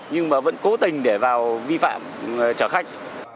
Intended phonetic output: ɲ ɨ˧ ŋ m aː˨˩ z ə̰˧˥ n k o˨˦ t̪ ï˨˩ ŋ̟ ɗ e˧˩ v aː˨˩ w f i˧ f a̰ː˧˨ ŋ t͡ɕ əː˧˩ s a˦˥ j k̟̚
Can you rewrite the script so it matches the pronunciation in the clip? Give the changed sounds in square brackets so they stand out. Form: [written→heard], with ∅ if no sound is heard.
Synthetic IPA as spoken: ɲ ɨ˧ ŋ m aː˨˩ [z→v] ə̰˧˥ n k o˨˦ t̪ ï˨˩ ŋ̟ ɗ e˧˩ v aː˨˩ w [f→v] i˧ f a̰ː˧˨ [ŋ→m] t͡ɕ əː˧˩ [s→x] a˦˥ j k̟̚